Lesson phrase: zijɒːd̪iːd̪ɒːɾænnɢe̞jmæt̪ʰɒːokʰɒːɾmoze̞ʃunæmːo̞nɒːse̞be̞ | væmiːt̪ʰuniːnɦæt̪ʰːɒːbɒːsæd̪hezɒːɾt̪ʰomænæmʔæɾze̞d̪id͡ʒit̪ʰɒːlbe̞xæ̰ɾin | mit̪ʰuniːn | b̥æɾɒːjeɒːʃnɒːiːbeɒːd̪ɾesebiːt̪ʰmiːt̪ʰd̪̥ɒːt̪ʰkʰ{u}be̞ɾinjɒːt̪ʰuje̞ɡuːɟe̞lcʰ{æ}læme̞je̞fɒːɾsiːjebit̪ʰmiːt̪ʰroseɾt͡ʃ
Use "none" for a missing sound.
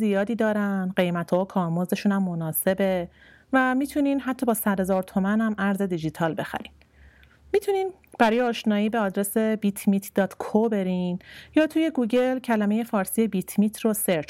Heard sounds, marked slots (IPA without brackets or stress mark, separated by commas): o, æ